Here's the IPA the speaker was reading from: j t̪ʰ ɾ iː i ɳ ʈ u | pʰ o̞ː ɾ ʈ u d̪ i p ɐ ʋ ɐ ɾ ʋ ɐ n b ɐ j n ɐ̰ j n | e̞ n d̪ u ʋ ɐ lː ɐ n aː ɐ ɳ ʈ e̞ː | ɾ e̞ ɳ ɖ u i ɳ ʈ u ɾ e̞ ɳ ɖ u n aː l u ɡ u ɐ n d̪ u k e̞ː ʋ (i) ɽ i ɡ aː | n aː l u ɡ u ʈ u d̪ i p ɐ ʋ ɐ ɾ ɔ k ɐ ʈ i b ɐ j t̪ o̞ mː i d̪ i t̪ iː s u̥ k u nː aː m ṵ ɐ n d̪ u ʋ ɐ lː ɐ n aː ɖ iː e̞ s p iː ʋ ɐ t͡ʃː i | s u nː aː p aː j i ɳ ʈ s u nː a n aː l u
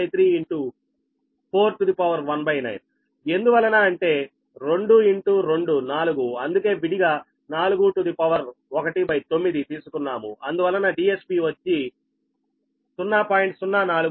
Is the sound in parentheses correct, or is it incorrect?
correct